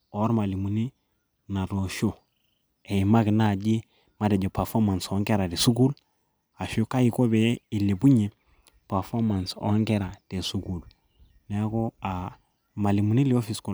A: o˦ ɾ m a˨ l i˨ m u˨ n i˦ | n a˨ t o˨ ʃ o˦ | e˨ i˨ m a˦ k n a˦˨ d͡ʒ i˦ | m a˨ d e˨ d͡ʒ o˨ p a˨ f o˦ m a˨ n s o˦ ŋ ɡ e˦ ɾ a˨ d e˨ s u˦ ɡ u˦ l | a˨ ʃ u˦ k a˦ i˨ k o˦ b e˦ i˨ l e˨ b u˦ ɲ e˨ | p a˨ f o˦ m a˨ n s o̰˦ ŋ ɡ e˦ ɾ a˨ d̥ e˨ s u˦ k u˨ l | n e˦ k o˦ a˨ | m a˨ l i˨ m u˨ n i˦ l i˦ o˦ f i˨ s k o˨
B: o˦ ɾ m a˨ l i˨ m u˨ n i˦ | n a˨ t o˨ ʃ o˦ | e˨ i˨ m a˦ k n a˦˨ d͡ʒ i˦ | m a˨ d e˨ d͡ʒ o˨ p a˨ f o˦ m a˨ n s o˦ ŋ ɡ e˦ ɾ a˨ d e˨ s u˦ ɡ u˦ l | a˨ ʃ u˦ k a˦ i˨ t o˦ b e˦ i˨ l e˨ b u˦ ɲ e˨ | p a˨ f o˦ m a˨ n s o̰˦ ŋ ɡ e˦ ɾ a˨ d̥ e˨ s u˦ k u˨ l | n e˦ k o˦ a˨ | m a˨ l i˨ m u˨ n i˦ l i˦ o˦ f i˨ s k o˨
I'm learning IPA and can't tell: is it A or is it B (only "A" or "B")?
A